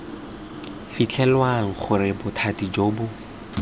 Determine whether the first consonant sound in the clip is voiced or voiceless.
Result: voiceless